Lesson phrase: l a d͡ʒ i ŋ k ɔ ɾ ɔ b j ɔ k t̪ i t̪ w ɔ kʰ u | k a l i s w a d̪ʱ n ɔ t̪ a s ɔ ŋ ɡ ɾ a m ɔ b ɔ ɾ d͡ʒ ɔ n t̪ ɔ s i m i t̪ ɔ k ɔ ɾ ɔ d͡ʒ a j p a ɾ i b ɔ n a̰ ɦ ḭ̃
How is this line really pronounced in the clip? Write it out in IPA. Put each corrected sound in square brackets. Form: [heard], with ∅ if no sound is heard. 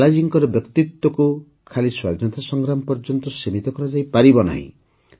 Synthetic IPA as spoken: l a d͡ʒ i ŋ k ɔ ɾ ɔ b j ɔ k t̪ i t̪ w ɔ [k] u | [kʰ] a l i s w a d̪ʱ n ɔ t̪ a s ɔ ŋ ɡ ɾ a m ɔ [p] ɔ ɾ d͡ʒ ɔ n t̪ ɔ s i m i t̪ ɔ k ɔ ɾ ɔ d͡ʒ a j p a ɾ i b ɔ n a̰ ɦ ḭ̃